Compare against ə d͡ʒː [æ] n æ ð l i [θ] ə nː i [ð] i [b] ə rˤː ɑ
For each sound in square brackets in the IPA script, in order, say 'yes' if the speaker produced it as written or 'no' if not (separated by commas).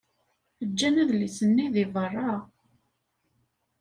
yes, no, yes, no